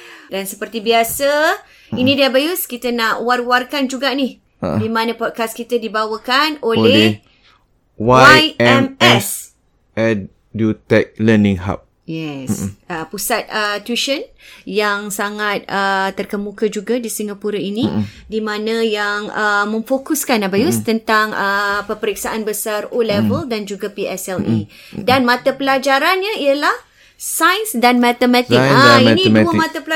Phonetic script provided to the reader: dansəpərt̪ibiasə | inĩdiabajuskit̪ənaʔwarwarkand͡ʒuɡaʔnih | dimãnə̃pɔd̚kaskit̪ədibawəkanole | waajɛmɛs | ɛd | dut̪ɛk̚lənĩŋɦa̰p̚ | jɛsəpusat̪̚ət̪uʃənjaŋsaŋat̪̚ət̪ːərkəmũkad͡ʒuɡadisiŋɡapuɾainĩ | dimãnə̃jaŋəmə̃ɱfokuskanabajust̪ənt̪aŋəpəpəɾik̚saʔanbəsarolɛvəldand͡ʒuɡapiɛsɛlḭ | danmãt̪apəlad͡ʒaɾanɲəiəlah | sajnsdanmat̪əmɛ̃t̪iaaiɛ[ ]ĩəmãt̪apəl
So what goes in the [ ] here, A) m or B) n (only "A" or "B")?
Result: B